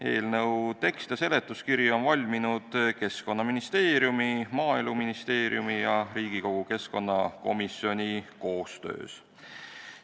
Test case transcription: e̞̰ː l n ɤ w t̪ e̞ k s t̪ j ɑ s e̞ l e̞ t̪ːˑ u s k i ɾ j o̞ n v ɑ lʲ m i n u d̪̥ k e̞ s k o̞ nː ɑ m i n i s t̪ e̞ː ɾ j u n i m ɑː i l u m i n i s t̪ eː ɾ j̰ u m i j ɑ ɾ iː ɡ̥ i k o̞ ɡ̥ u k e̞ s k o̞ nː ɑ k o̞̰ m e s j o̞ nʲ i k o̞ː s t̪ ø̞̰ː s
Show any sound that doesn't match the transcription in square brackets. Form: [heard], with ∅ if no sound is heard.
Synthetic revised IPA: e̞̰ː l n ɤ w t̪ e̞ k s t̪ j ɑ s e̞ l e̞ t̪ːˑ u s k i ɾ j o̞ n v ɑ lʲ m i n u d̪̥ k e̞ s k o̞ nː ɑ m i n i s t̪ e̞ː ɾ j u [m] i m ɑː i l u m i n i s t̪ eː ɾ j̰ u m i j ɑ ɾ iː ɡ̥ i k o̞ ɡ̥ u k e̞ s k o̞ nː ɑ k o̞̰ m [i] s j o̞ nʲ i k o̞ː s t̪ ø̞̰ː s